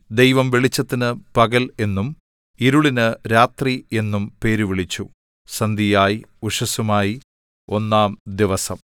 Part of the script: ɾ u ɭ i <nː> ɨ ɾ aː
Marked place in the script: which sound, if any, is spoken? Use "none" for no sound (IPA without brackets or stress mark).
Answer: n